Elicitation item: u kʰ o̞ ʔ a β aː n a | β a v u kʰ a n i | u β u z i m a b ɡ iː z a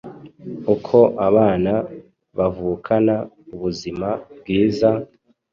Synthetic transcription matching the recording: u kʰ o̞ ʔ a β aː n a | β a v u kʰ a n a | u β u z i m a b ɡ iː z a